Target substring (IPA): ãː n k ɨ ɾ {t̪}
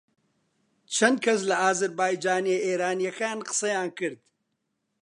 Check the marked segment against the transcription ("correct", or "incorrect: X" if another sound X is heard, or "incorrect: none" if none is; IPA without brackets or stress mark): incorrect: d̪